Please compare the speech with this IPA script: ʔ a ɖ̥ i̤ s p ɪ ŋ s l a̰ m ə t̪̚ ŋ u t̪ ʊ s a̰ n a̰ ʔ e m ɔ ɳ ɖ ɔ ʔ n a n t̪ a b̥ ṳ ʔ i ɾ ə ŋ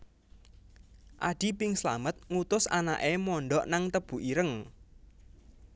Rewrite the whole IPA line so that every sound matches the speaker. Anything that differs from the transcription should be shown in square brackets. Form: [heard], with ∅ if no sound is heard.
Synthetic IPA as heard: ʔ a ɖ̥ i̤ [∅] p ɪ ŋ s l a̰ m ə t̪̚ ŋ u t̪ ʊ s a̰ n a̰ ʔ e m ɔ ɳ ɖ ɔ ʔ n a [ŋ] t̪ [ə] b̥ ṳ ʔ i ɾ ə ŋ